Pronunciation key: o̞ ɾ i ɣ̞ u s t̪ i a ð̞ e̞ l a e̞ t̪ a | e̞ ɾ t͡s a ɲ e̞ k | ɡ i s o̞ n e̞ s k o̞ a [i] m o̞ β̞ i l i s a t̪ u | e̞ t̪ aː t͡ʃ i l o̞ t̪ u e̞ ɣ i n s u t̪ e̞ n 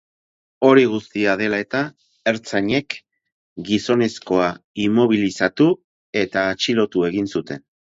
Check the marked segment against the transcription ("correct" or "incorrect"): correct